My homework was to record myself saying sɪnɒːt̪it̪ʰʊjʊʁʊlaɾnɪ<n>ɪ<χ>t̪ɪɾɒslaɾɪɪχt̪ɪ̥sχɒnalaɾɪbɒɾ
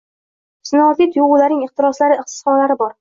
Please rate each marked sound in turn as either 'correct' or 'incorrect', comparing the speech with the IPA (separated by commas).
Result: incorrect, correct